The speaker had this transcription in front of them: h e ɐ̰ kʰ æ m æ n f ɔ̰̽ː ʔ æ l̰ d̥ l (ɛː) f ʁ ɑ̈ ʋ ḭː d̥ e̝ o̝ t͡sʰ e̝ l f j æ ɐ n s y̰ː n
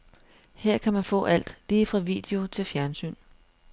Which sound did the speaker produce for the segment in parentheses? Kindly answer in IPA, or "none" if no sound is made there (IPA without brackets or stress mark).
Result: iː